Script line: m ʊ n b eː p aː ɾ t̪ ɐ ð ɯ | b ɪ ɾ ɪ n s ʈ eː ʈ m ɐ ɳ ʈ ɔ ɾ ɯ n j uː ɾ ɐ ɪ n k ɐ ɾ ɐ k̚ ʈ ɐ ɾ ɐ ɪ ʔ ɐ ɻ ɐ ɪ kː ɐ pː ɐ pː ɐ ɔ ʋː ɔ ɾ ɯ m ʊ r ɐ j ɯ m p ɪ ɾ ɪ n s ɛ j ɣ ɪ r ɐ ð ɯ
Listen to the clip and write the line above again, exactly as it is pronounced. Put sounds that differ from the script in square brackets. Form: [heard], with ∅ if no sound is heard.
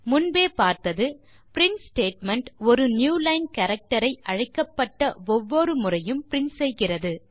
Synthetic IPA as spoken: m ʊ n b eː p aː ɾ t̪ ɐ ð ɯ | [p] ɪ ɾ ɪ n s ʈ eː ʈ m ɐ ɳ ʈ ɔ ɾ ɯ n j uː [l] ɐ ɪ n k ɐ ɾ ɐ k̚ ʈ ɐ ɾ ɐ ɪ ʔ ɐ ɻ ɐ ɪ kː ɐ pː ɐ [ʈː] ɐ ɔ ʋː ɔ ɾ ɯ m ʊ r ɐ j ɯ m p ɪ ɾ ɪ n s ɛ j ɣ ɪ r ɐ ð ɯ